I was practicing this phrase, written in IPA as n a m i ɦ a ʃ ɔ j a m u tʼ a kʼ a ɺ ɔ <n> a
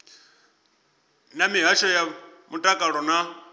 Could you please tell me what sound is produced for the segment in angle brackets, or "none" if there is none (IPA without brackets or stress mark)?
n